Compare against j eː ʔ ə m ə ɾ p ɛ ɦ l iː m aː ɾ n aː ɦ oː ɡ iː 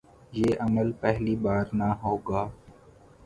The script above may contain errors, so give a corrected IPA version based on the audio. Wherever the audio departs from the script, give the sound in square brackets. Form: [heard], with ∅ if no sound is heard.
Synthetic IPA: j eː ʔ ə m ə [l] p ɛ ɦ l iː [b] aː ɾ n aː ɦ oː ɡ [aː]